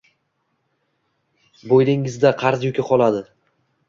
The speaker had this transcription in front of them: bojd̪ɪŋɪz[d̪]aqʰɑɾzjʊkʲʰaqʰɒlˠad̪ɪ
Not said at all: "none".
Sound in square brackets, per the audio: d̪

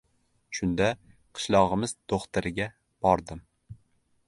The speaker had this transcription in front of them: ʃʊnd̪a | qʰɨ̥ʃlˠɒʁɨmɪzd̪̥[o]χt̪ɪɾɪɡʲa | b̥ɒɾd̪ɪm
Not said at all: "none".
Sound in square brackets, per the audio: o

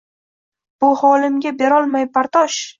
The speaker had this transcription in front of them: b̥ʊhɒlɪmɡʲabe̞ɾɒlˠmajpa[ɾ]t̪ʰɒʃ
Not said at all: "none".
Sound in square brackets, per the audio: ɾ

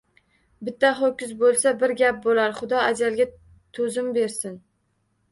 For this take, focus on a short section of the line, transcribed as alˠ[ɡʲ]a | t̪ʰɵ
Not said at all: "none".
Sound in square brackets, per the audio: ɡʲ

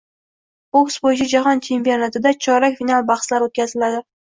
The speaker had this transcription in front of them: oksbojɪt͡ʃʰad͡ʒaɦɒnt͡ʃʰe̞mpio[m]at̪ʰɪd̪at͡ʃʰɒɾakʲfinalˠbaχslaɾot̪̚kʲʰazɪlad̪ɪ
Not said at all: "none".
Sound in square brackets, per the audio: n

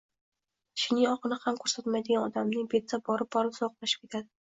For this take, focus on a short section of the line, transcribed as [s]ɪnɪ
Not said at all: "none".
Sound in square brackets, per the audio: ʃ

